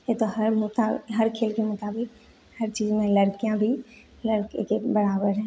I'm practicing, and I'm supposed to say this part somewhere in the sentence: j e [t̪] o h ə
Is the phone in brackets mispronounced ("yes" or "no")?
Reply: no